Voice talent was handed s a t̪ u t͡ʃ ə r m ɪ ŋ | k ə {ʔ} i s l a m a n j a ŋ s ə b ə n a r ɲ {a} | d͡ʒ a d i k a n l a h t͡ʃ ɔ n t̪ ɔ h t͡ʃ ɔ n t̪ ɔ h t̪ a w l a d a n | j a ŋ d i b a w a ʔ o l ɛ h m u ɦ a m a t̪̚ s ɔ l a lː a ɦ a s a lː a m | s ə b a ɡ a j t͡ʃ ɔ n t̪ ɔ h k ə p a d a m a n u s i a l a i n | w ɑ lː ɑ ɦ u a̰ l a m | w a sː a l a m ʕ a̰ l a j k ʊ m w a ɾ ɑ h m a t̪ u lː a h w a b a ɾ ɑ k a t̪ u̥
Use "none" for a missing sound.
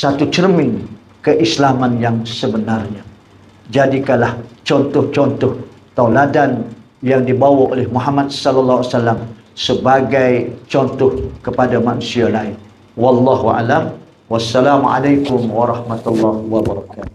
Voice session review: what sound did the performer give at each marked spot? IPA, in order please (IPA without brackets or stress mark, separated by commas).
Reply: ʔ, a